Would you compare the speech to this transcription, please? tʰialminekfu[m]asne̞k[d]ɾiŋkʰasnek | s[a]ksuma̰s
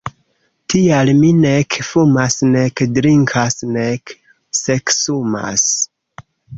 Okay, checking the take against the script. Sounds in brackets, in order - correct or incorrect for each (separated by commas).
correct, correct, incorrect